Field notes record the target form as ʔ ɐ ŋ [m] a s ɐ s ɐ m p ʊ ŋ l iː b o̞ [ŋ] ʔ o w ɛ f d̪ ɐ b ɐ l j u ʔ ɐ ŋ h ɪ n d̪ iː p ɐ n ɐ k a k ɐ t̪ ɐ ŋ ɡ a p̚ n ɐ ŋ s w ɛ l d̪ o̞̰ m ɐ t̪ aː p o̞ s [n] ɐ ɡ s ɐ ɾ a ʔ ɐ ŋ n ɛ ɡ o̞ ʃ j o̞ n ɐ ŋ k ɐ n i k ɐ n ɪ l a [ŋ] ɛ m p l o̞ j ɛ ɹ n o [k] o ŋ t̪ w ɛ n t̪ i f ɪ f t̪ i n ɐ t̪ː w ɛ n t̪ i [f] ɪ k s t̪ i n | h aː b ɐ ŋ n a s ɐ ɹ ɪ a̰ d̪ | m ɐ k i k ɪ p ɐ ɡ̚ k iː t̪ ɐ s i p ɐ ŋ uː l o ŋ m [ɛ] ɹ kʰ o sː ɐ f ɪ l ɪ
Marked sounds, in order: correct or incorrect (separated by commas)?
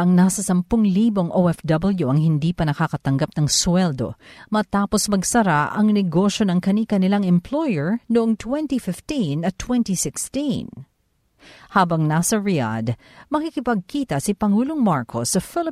incorrect, correct, incorrect, correct, incorrect, incorrect, incorrect